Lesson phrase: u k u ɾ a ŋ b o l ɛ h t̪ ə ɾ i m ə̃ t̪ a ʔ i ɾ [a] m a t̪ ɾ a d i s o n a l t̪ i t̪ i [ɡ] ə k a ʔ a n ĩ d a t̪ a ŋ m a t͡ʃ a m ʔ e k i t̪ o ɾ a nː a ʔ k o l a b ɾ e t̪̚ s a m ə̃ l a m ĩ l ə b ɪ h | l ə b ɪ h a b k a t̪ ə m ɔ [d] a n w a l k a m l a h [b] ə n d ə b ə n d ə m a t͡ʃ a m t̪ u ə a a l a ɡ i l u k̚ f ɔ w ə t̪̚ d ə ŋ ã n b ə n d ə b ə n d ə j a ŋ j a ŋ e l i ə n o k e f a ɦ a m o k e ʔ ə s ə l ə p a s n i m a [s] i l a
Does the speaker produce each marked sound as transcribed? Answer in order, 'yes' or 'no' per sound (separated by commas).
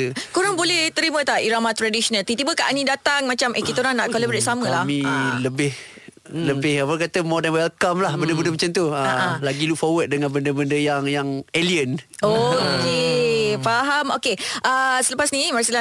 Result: yes, no, yes, yes, yes